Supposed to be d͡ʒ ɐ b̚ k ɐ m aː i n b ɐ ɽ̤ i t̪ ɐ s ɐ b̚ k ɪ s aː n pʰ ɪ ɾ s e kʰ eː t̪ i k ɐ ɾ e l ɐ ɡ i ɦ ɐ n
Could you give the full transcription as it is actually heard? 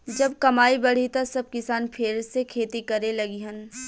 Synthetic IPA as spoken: d͡ʒ ɐ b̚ k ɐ m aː i b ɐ ɽ̤ i t̪ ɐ s ɐ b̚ k ɪ s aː n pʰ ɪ ɾ s e kʰ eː t̪ i k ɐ ɾ e l ɐ ɡ i ɦ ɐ n